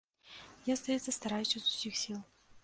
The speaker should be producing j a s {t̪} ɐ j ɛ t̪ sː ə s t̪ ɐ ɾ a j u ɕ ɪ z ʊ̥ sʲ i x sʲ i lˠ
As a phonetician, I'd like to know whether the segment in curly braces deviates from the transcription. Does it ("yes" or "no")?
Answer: no